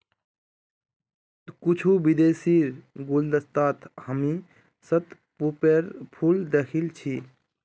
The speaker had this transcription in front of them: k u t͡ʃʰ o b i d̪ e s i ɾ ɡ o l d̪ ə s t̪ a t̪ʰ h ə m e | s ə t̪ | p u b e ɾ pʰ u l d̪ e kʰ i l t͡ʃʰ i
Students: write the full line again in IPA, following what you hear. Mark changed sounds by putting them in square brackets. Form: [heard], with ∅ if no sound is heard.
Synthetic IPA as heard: k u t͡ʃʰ [u] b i d̪ e s i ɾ ɡ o l d̪ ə s t̪ a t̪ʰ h ə m [i] | s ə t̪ | p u [p] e ɾ pʰ u l d̪ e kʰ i l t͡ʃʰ i